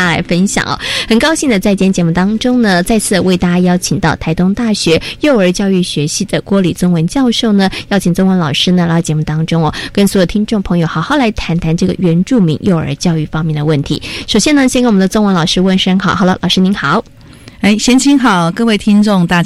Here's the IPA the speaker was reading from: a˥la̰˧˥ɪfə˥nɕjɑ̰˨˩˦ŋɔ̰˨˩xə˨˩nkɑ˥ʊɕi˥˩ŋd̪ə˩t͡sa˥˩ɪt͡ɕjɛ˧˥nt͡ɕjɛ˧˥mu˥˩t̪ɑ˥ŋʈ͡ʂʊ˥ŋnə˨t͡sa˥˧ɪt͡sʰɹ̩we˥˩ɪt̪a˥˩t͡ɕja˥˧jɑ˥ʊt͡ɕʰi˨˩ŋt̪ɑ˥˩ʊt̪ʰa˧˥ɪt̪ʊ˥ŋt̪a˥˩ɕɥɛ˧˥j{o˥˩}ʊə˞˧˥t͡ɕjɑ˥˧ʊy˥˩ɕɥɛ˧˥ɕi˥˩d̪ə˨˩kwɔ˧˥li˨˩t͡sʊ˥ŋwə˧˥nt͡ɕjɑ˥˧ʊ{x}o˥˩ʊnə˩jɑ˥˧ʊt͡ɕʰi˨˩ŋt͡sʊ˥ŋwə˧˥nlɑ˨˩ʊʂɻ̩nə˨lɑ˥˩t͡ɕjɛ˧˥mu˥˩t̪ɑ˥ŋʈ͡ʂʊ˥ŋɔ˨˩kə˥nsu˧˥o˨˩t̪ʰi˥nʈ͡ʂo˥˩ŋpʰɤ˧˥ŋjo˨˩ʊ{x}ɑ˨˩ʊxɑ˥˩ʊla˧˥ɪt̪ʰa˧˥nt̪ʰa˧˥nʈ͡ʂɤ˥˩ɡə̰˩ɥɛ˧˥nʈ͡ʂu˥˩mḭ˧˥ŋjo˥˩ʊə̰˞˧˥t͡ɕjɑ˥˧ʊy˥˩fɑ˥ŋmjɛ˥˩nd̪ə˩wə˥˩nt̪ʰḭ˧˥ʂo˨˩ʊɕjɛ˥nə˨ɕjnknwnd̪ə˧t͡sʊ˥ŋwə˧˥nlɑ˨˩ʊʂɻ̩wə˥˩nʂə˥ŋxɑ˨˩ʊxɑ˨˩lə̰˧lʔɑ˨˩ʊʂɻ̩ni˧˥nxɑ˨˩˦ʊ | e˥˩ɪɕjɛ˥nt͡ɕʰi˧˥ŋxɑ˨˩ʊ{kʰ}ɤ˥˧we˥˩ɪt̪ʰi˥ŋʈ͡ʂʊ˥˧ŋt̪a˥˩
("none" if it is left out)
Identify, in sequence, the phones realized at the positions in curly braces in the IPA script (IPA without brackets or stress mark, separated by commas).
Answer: o˥˩, ʂ, x, k